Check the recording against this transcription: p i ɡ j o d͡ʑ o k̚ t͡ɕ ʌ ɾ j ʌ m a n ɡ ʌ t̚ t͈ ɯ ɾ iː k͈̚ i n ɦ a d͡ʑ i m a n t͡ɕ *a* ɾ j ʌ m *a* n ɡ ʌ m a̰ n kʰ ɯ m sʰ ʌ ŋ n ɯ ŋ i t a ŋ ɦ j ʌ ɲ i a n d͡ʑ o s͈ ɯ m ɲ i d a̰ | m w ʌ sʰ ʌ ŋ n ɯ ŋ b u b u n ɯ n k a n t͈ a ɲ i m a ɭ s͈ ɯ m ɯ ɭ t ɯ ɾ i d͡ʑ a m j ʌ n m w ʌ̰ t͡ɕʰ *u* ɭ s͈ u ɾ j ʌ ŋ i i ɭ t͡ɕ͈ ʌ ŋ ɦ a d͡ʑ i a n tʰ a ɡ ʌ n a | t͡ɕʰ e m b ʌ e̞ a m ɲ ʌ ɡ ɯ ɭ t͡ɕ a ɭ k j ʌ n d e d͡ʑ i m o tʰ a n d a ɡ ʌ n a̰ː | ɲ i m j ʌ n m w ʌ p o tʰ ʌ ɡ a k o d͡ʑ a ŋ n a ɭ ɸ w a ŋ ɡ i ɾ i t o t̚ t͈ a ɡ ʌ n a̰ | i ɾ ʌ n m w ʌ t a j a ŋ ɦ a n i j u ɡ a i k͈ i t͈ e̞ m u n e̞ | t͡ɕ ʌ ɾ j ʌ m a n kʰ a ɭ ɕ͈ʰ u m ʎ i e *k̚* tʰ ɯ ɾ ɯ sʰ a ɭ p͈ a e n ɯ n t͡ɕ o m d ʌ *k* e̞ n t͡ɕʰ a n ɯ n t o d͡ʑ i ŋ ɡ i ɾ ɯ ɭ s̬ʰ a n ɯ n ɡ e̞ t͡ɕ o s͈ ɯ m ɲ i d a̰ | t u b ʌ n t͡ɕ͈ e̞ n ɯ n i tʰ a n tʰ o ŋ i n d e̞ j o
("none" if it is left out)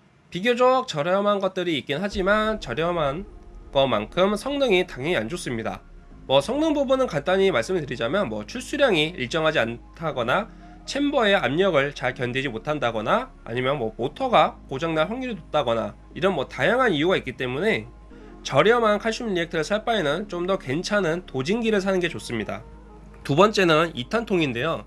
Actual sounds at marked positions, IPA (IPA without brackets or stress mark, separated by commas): ʌ, a, u, k̚, k